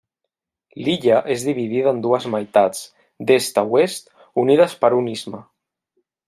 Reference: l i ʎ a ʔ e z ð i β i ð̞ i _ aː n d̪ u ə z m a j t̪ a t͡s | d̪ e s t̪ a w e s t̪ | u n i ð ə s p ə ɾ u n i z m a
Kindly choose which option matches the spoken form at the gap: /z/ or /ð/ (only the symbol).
ð